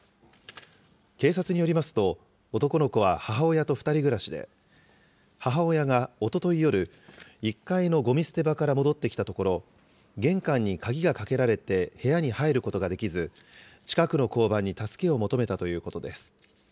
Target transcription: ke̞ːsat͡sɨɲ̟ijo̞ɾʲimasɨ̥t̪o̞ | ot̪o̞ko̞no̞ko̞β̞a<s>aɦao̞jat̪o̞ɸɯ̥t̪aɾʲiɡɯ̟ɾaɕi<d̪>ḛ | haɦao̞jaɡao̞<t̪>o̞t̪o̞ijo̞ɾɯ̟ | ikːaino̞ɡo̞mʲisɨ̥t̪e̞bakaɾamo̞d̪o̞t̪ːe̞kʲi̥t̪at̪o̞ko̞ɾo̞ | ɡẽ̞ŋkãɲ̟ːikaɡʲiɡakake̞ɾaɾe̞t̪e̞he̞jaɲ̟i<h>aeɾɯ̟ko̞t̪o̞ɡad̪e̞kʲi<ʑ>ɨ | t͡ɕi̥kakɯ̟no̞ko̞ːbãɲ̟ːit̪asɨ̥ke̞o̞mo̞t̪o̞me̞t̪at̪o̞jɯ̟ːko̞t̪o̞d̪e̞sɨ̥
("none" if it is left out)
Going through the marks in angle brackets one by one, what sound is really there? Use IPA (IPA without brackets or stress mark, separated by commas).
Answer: h, d̪, t̪, h, z